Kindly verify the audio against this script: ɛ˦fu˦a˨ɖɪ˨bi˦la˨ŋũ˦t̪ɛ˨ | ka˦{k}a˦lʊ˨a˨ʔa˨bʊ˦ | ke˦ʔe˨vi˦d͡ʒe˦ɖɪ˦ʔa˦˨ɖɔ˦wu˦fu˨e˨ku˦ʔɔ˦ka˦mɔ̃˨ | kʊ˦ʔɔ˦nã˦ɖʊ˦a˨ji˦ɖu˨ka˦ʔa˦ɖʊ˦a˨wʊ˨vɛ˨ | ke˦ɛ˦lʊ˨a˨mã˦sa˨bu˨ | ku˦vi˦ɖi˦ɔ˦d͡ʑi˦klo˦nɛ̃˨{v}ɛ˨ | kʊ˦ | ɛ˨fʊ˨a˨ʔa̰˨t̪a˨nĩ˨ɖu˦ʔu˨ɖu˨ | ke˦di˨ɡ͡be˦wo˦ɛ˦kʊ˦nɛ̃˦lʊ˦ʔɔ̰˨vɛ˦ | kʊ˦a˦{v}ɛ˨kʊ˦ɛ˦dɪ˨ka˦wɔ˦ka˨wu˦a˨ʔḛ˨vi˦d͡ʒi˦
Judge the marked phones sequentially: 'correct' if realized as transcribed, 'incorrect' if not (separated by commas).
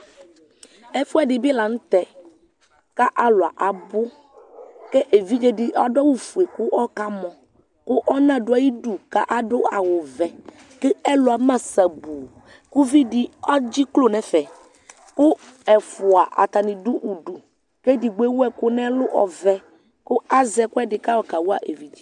incorrect, incorrect, incorrect